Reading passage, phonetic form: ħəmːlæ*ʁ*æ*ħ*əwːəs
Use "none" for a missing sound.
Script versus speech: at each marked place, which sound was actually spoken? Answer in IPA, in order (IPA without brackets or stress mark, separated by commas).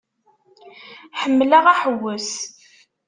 ʁ, ħ